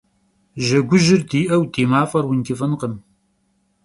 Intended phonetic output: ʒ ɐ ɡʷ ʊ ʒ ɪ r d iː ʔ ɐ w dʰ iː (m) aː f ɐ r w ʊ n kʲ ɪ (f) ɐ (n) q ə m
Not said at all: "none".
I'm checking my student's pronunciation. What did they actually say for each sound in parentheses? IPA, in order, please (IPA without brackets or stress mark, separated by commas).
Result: m, f, n